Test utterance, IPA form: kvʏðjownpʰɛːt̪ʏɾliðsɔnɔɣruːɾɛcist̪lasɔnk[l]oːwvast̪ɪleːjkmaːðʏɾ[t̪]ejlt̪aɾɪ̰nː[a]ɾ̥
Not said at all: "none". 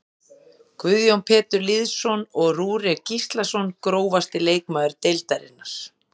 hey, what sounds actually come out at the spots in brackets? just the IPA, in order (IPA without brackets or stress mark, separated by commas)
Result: ɾ, t̪, a